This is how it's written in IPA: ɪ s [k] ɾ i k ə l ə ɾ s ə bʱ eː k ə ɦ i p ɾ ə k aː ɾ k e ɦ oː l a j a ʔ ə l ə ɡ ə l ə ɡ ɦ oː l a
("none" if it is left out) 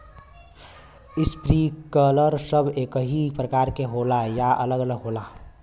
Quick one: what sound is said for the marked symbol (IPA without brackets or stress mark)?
p